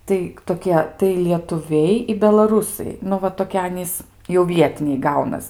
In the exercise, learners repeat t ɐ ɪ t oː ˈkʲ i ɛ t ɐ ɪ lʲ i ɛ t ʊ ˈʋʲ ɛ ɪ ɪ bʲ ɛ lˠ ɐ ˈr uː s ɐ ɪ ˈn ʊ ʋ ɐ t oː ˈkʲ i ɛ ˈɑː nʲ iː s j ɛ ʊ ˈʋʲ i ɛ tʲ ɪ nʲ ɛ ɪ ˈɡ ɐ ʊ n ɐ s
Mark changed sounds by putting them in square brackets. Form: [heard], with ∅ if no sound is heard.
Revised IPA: t ɐ ɪ t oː ˈkʲ i ɛ t ɐ ɪ lʲ i ɛ t ʊ ˈʋʲ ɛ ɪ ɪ bʲ ɛ lˠ ɐ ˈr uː s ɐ ɪ ˈn ʊ ʋ ɐ t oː ˈkʲ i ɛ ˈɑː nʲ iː s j ɛ ʊ ˈʋʲ i ɛ tʲ ɪ nʲ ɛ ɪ ˈɡ ɐ ʊ n ɐ s